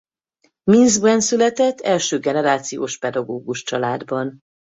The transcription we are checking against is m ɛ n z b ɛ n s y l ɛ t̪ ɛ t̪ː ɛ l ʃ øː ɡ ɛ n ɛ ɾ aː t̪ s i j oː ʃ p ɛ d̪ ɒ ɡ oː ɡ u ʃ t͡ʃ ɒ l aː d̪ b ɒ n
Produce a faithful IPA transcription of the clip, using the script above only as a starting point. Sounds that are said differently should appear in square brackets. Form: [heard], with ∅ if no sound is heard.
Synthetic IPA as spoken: m [i] n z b ɛ n s y l ɛ t̪ ɛ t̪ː ɛ l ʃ øː ɡ ɛ n ɛ ɾ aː t̪ s i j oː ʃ p ɛ d̪ ɒ ɡ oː ɡ u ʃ t͡ʃ ɒ l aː d̪ b ɒ n